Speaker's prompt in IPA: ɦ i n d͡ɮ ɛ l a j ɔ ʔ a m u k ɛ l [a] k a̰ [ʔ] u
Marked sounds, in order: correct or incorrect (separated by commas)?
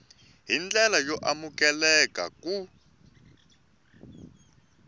incorrect, incorrect